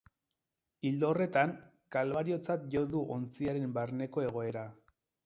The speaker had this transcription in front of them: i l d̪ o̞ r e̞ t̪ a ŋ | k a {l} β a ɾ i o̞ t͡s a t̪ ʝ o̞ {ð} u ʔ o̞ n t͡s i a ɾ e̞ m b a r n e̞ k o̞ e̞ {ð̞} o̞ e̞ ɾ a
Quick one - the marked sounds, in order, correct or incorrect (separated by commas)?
correct, correct, incorrect